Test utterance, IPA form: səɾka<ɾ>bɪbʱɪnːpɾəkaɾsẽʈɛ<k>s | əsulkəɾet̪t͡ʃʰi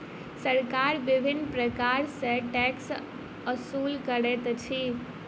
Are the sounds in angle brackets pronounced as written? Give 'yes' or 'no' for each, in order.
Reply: yes, yes

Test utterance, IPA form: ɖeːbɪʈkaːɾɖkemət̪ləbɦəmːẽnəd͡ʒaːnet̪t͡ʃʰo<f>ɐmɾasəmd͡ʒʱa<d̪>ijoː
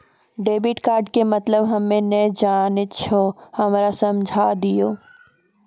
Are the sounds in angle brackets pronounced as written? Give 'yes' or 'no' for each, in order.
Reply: no, yes

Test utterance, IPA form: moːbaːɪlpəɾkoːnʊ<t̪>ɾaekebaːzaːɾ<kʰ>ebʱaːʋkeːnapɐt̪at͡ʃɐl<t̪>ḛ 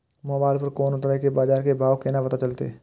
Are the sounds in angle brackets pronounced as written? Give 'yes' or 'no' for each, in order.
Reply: yes, no, yes

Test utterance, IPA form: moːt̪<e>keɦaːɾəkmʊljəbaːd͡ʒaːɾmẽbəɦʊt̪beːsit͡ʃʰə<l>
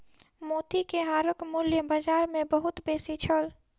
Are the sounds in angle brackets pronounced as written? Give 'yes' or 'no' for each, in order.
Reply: no, yes

